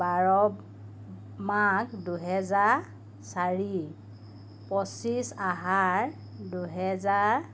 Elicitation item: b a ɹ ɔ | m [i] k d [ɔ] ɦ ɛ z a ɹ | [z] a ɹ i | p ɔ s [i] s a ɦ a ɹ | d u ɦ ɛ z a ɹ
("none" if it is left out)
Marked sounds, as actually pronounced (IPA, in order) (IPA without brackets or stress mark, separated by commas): a, u, s, i